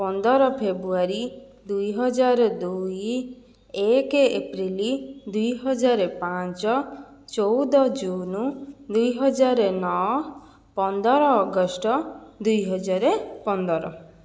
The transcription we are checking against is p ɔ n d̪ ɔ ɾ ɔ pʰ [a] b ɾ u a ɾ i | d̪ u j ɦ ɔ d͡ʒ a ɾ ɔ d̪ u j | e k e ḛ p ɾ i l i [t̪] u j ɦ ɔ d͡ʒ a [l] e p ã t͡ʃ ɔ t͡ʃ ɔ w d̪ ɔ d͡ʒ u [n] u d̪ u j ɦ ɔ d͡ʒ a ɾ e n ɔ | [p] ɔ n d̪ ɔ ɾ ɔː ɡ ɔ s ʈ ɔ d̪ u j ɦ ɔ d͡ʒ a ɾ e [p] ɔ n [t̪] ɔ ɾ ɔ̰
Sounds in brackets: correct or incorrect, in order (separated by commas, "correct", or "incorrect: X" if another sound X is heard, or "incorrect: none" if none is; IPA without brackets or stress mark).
incorrect: e, incorrect: d̪, incorrect: ɾ, correct, correct, correct, incorrect: d̪